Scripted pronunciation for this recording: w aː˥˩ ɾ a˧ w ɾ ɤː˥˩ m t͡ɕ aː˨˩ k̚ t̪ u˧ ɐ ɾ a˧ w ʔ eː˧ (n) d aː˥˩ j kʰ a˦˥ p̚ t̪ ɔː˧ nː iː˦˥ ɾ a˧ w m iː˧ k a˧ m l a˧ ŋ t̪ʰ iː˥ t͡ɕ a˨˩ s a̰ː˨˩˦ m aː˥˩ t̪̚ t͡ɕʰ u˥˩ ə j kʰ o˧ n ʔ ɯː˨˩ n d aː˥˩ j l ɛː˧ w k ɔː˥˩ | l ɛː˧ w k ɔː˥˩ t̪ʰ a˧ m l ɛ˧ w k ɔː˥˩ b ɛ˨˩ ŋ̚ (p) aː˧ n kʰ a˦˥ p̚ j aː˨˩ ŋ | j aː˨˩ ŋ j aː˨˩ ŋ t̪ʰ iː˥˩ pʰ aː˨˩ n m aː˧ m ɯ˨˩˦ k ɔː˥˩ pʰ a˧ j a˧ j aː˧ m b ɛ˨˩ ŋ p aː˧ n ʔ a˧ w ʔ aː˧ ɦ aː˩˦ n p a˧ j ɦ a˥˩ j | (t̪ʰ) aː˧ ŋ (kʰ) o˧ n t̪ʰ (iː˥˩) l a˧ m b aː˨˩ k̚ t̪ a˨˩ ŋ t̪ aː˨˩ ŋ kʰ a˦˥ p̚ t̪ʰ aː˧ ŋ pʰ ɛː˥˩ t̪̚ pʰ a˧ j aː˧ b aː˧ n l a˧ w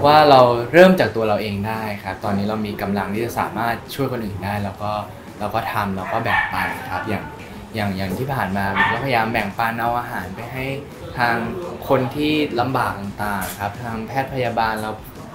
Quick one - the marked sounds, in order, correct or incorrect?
incorrect, correct, correct, correct, correct

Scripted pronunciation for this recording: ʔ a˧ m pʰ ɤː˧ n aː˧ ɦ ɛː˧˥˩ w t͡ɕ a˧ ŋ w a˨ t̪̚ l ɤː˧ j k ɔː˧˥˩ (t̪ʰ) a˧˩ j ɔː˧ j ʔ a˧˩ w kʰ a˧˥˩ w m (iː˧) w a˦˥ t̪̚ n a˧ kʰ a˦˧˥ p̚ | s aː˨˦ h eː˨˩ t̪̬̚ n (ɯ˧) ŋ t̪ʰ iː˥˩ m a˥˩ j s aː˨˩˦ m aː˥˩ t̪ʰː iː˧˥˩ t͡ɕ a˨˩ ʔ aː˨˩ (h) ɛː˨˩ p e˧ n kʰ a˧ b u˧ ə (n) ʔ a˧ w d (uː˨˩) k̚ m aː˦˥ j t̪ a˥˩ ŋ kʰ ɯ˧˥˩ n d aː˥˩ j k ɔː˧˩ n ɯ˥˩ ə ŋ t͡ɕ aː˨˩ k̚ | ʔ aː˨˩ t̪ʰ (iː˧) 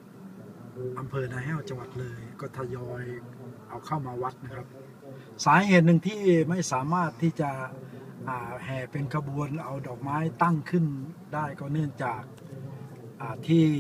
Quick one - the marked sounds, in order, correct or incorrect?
correct, incorrect, correct, correct, correct, incorrect, incorrect

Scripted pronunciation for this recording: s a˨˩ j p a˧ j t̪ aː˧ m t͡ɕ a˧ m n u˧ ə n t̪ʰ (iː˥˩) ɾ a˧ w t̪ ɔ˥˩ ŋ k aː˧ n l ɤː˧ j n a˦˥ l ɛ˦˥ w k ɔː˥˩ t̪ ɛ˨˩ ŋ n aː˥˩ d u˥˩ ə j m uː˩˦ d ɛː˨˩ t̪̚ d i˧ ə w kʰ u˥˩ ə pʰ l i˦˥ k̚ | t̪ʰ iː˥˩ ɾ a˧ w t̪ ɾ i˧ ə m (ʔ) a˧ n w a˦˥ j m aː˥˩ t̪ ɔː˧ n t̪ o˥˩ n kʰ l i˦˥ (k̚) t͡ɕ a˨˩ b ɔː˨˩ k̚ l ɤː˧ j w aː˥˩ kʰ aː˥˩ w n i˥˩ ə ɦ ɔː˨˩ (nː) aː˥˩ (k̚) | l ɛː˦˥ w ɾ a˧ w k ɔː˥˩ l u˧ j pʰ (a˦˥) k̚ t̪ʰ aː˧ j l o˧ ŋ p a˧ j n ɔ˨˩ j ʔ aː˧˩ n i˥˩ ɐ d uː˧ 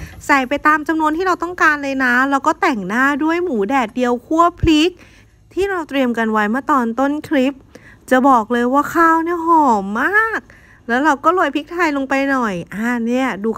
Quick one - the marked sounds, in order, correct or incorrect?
incorrect, incorrect, incorrect, incorrect, correct, incorrect

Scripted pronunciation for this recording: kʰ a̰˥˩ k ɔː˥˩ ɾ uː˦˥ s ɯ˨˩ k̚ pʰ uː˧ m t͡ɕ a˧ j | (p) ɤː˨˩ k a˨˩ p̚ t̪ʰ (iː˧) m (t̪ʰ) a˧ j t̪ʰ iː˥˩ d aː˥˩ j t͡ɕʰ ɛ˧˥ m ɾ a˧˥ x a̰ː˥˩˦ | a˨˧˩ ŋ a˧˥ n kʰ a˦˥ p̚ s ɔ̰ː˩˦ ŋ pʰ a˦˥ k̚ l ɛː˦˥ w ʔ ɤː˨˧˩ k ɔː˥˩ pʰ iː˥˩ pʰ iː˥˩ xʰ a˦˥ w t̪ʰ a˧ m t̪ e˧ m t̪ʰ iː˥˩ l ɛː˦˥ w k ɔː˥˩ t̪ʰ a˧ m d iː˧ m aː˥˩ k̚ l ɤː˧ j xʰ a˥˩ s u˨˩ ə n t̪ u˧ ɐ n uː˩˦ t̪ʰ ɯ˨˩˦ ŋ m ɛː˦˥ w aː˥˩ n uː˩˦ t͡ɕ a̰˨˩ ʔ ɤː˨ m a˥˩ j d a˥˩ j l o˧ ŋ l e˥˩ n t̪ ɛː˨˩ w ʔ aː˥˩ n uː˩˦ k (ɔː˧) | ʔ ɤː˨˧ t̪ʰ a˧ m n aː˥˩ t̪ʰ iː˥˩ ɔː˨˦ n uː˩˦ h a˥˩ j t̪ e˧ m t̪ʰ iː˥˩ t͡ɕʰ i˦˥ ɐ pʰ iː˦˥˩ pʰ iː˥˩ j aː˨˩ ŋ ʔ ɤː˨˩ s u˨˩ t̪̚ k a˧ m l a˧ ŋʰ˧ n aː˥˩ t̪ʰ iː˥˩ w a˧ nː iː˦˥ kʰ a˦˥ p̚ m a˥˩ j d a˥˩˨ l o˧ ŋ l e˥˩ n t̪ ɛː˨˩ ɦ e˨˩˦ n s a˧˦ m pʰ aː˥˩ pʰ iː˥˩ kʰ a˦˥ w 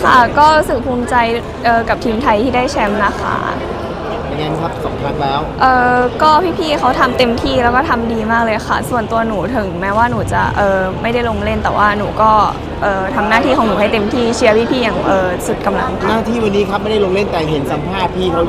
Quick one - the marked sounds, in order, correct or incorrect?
incorrect, correct, correct, incorrect

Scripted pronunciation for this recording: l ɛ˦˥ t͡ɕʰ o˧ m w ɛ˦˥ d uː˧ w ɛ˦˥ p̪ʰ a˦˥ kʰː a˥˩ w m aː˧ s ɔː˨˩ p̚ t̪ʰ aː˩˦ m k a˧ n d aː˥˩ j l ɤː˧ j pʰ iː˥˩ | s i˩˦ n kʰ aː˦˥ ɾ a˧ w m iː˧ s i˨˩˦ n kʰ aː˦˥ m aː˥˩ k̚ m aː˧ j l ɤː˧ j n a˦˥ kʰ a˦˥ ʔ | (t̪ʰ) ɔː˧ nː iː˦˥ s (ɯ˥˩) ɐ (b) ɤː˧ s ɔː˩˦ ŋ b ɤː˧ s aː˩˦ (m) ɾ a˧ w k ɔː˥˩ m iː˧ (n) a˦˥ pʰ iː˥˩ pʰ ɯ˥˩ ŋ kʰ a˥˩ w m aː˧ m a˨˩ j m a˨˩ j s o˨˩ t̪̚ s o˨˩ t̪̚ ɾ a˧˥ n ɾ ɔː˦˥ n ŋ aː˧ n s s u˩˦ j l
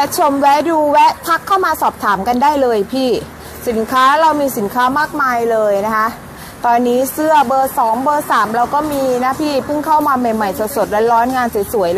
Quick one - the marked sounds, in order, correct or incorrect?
incorrect, correct, correct, correct, correct

